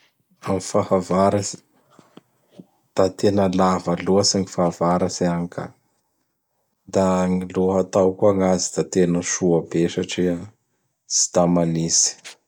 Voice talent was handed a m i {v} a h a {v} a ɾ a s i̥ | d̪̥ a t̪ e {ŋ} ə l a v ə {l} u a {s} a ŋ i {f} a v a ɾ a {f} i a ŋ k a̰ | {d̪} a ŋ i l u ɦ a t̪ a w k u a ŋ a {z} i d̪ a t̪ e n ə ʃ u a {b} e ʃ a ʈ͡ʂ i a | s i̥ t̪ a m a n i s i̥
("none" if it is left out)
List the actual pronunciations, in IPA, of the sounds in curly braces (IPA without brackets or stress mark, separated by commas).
f, v, n, l, s, f, s, d̪, z, b